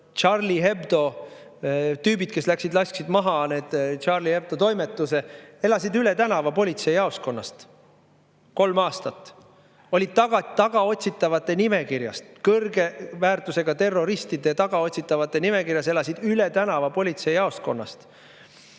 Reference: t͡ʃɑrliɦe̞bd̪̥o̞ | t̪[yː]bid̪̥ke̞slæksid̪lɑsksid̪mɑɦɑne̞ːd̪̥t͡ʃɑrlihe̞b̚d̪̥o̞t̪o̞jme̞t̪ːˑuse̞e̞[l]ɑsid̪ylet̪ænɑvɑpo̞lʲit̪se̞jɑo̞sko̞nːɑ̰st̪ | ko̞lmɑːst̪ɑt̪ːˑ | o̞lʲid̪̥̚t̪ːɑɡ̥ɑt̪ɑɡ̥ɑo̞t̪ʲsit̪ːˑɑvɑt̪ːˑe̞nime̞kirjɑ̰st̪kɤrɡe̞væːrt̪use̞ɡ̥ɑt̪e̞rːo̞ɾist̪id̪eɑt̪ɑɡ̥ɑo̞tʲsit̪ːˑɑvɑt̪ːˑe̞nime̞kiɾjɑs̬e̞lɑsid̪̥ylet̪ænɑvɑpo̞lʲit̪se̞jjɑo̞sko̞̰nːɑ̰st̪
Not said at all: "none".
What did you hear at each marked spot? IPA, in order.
yː, l

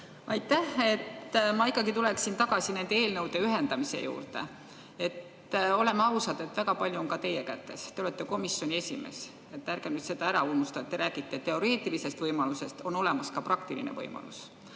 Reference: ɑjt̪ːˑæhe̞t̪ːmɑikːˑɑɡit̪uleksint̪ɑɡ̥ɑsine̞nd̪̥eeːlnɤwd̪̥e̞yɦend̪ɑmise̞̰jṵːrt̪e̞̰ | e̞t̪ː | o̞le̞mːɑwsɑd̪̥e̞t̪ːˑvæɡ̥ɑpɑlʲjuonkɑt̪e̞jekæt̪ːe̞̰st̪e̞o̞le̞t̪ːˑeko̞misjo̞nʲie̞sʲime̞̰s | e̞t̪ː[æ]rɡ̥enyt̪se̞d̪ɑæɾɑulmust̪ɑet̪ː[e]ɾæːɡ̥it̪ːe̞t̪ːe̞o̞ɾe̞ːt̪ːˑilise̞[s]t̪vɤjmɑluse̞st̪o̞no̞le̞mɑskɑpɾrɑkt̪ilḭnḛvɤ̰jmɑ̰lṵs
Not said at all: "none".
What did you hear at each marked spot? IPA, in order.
æ, e, s

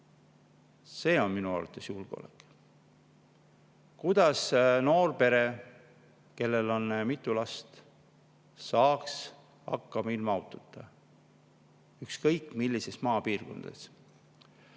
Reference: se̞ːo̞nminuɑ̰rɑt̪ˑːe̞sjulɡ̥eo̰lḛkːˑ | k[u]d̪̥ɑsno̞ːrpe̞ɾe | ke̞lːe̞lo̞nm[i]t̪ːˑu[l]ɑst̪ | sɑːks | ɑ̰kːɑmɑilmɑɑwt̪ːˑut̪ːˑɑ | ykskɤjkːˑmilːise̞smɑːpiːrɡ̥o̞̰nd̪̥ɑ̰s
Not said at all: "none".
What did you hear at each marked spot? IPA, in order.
u, i, l

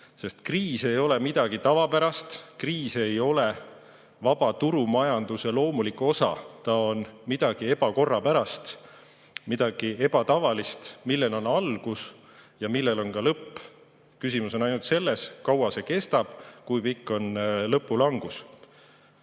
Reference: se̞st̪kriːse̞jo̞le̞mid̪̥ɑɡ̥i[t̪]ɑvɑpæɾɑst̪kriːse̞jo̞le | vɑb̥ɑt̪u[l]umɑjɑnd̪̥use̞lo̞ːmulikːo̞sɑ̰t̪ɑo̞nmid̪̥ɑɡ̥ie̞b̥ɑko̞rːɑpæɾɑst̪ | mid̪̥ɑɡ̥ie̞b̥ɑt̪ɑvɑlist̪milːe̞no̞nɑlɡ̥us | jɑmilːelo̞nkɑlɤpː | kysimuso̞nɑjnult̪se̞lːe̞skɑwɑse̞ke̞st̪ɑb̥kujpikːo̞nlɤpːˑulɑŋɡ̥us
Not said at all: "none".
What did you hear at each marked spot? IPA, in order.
t̪, ɾ

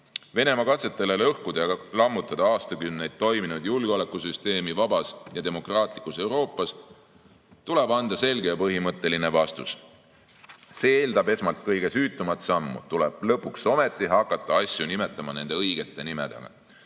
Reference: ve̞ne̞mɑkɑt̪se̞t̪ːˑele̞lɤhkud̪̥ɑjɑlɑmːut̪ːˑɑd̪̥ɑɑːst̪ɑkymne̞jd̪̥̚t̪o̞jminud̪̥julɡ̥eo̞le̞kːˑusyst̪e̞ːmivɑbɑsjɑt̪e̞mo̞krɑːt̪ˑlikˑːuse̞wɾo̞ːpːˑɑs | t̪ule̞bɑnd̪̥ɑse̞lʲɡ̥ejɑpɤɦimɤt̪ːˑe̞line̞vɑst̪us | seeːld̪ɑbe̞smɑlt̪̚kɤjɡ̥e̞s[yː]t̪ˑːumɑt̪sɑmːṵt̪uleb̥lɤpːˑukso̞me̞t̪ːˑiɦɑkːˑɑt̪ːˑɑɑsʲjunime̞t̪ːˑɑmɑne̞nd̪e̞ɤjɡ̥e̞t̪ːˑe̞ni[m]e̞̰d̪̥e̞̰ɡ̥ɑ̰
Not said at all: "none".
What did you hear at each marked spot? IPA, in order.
yː, m

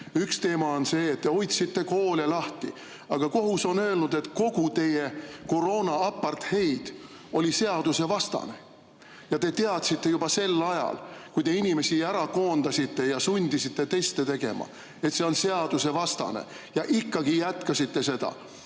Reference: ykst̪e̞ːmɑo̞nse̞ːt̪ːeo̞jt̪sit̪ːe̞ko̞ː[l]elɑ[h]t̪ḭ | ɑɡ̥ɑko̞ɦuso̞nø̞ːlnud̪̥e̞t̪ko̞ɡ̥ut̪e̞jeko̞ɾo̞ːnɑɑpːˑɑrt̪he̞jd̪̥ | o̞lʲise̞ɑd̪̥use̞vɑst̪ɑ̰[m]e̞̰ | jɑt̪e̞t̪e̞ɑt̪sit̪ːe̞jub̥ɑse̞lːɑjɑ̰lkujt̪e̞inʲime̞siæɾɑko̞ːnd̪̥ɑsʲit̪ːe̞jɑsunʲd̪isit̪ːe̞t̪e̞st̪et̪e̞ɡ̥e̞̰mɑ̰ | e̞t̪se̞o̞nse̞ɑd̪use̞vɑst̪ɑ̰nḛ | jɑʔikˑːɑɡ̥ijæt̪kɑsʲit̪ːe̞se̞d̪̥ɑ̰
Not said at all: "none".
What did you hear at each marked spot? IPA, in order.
l, h, n

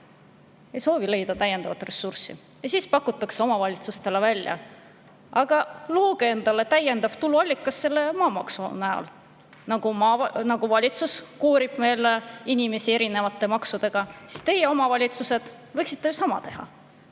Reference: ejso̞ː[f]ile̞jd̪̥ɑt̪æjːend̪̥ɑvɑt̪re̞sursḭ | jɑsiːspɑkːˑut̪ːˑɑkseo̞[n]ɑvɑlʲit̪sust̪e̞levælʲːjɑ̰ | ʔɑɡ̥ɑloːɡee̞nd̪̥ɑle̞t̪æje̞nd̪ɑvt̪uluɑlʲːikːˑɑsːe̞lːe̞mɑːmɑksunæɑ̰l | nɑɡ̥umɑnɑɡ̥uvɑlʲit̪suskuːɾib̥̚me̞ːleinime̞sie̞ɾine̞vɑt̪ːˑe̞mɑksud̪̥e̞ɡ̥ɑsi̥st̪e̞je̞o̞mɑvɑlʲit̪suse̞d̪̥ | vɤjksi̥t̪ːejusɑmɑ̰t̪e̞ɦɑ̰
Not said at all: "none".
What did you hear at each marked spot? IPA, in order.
v, m

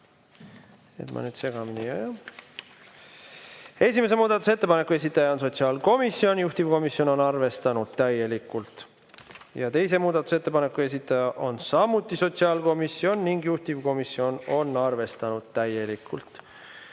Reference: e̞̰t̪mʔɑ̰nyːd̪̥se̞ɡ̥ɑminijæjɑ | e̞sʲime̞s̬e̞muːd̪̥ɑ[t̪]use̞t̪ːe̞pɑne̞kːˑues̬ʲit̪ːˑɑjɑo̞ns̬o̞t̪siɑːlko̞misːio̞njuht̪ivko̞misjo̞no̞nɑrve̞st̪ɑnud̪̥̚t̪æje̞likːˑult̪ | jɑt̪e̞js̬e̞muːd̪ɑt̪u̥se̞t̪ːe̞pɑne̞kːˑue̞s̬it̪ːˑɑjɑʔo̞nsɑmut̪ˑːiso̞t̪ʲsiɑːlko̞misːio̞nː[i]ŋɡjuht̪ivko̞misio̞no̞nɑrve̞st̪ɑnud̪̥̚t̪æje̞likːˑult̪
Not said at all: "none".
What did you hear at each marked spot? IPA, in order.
t̪, i

